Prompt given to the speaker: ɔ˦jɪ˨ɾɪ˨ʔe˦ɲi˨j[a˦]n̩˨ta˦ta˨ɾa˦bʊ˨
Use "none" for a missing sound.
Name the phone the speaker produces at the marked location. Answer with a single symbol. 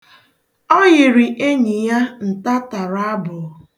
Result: a˦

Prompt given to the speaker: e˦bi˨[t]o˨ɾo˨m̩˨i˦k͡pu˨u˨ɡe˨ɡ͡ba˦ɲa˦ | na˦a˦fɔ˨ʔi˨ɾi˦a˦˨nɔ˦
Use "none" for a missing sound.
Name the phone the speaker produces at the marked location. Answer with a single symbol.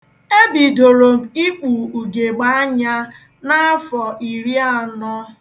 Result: d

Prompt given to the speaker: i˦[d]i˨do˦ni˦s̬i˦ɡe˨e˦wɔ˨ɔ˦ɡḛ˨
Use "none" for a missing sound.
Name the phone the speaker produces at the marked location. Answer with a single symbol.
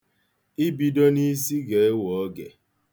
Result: b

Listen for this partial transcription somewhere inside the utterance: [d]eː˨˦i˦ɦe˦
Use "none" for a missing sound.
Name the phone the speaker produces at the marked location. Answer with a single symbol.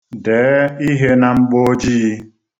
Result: d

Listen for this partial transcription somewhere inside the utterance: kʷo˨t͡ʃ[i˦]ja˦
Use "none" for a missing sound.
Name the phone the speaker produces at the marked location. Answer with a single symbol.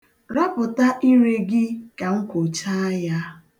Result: a˦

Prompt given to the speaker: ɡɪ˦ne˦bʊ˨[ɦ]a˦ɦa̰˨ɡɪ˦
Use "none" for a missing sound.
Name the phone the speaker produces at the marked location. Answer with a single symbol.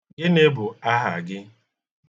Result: none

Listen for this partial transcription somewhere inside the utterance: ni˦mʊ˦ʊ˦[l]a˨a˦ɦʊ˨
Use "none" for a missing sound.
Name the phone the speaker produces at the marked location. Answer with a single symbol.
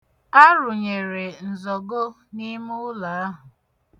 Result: l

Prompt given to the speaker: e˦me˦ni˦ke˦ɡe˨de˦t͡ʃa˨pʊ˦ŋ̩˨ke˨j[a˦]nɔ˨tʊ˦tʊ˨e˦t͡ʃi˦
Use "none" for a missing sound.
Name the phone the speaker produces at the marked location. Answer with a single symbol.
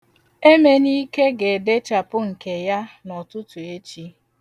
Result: a˦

